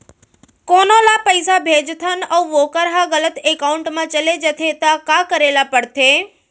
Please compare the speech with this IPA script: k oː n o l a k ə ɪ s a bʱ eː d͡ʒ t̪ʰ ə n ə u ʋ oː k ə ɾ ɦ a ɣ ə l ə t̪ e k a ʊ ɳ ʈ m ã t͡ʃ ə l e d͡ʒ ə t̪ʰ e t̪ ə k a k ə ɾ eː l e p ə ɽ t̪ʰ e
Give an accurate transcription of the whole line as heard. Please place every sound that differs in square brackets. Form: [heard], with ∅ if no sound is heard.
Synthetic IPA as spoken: k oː n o l a [p] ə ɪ s a bʱ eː d͡ʒ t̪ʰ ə n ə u ʋ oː k ə ɾ ɦ a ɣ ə l ə t̪ e k a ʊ ɳ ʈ m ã t͡ʃ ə l e d͡ʒ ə t̪ʰ e t̪ [a] k a k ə ɾ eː l [a] p ə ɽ t̪ʰ e